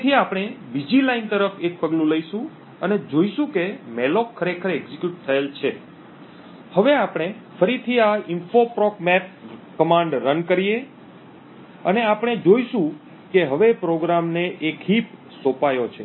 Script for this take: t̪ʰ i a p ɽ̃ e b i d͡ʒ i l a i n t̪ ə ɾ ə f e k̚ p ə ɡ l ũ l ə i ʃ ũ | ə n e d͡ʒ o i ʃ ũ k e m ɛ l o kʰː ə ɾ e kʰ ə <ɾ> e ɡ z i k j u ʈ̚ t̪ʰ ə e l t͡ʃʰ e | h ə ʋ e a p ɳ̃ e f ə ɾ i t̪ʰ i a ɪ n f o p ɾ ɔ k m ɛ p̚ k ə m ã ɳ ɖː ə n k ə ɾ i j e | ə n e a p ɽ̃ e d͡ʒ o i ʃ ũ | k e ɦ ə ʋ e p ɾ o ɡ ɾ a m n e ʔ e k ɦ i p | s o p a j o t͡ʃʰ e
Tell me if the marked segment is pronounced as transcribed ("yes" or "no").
yes